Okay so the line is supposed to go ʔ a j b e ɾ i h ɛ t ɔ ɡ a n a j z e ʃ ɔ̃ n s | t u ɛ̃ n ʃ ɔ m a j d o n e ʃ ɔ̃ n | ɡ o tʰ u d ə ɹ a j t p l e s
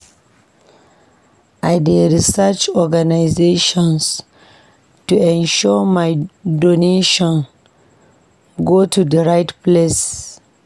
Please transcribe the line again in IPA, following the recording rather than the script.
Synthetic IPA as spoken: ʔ a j d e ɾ i s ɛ t͡ʃ ɔ ɡ a n a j z e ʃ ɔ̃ n s | t u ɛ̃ n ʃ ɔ m a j d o n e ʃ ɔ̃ n | ɡ o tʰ u d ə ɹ a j t p l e s